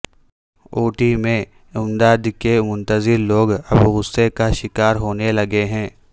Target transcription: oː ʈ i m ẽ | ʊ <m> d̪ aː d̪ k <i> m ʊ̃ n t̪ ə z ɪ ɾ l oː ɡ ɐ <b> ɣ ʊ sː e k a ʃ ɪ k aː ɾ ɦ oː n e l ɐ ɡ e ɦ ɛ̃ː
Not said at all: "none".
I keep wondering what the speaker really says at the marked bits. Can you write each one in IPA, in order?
m, e, b

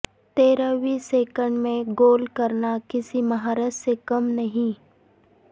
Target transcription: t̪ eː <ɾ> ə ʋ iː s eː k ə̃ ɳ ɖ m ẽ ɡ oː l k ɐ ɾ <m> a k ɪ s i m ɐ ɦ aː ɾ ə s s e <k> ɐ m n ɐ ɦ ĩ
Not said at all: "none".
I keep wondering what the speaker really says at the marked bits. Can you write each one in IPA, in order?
ɾ, n, k

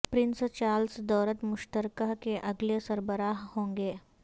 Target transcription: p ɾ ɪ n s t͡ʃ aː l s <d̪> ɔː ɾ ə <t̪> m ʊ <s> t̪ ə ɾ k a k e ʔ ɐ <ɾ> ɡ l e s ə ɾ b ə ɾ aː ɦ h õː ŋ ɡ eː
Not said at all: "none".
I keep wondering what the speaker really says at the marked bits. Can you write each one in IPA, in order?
d̪, t̪, ʃ, none

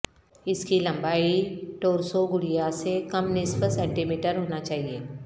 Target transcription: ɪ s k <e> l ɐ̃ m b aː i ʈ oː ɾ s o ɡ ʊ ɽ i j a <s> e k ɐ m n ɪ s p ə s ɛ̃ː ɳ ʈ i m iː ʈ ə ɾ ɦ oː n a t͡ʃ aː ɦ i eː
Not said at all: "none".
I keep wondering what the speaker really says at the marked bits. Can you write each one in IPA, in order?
i, s

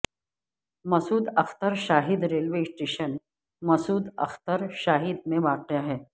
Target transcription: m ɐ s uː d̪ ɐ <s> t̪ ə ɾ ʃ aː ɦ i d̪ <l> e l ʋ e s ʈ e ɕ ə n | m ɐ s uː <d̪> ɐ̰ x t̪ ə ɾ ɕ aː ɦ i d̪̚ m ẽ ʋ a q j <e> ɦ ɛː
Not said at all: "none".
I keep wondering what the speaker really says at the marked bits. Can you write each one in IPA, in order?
x, ɾ, d̪, a

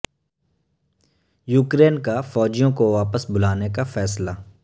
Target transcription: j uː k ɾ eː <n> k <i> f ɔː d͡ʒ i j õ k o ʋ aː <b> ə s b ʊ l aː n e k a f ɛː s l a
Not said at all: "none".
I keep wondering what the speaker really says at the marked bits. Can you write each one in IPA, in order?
n, a, p

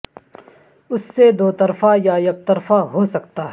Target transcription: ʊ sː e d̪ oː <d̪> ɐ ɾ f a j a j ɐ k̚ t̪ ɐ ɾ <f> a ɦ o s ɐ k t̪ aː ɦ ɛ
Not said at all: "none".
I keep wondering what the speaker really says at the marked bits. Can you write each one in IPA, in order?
t̪, f

